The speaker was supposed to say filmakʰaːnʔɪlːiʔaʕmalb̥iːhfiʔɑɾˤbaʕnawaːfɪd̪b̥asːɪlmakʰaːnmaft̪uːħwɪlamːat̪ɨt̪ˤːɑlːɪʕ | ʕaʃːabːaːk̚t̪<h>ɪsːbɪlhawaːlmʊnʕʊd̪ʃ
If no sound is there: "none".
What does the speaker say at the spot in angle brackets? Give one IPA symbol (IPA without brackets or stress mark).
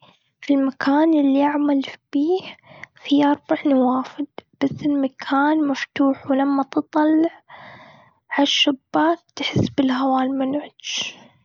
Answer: ħ